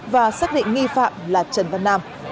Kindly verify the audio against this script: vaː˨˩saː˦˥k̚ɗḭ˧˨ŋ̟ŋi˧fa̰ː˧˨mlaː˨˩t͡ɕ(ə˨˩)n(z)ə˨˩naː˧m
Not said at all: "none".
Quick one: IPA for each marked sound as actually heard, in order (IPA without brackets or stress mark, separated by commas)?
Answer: ə˨˩, v